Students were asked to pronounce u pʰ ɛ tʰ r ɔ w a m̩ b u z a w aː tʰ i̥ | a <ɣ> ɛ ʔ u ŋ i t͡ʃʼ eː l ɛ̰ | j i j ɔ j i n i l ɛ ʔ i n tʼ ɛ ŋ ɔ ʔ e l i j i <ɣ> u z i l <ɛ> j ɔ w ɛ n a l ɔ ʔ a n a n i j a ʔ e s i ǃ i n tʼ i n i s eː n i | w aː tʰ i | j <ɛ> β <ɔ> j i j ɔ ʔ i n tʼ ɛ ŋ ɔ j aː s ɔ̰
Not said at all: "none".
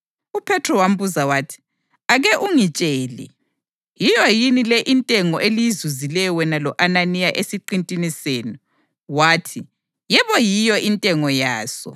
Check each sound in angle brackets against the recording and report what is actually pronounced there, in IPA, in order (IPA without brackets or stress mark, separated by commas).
ɣ, z, ɛ, ɛ, ɔ